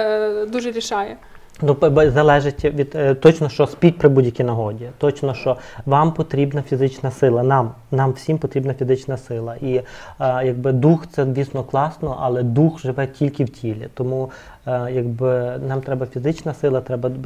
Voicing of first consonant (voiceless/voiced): voiced